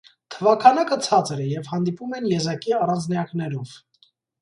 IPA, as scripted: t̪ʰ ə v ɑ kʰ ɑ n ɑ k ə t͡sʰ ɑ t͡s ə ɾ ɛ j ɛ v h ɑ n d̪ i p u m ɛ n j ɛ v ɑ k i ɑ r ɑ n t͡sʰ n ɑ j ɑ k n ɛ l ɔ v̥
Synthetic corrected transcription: t̪ʰ ə v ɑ kʰ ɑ n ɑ k ə t͡sʰ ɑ t͡s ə ɾ ɛ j ɛ v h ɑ n d̪ i p u m ɛ n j ɛ z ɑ k i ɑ r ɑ n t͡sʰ n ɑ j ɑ k n ɛ ɾ ɔ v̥